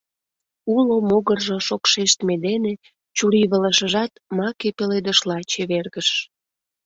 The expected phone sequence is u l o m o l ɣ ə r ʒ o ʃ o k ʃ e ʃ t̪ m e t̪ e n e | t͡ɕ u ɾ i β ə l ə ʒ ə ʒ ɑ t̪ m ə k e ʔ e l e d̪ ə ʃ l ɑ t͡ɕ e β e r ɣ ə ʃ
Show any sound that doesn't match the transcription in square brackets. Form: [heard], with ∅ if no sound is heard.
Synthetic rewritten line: u l o m o [∅] ɣ ə r ʒ o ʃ o k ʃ e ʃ t̪ m e [d̪] e n e | t͡ɕ u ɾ i β ə l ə [ʃ] ə ʒ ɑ t̪ m [ɑ] k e [p] e l e d̪ ə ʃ l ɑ t͡ɕ e β e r ɣ ə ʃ

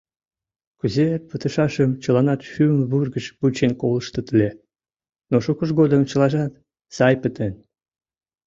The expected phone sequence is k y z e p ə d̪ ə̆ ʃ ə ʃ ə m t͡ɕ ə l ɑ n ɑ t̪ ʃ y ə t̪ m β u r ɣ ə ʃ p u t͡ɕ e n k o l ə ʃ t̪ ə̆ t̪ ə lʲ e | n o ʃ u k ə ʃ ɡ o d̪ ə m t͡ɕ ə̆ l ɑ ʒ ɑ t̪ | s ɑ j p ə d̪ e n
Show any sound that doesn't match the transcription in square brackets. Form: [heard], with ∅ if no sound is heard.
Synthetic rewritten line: k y z e p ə [t̪] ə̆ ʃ [ɑ] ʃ ə m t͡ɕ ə l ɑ n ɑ t̪ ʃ y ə [∅] m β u r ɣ ə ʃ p u t͡ɕ e n k o l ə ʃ t̪ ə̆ t̪ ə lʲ e | n o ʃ u k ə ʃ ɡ o d̪ ə m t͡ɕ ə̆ l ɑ ʒ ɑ t̪ | s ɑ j p ə [t̪] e n

